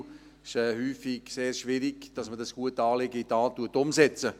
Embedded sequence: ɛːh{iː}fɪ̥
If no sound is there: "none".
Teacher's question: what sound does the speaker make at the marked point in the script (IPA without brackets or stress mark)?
yː